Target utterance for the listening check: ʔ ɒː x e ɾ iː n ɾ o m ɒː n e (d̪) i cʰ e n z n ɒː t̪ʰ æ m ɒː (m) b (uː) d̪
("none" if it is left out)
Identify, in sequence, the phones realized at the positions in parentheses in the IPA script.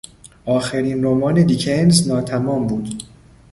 d̪, m, uː

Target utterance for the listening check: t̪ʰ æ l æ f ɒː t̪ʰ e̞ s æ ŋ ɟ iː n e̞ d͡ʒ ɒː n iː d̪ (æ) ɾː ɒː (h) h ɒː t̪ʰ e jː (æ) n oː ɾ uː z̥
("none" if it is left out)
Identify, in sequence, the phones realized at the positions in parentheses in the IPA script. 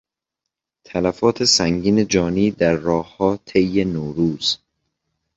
æ, h, e

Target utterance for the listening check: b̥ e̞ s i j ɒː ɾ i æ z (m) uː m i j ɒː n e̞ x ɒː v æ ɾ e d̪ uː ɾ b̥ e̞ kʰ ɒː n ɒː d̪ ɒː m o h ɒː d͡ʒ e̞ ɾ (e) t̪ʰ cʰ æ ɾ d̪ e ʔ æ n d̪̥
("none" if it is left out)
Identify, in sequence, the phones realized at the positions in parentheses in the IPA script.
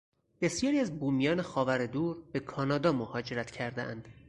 b, æ

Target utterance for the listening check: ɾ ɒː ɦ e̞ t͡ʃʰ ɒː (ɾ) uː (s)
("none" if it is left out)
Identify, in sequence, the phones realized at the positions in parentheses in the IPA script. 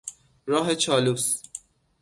l, s

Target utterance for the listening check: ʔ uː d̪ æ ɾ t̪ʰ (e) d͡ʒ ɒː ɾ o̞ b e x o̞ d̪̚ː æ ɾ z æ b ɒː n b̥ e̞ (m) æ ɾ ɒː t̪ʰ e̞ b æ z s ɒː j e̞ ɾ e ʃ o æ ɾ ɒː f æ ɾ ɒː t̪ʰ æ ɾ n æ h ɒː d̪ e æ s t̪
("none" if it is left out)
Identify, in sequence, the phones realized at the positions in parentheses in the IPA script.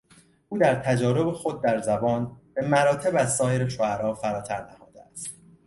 æ, m

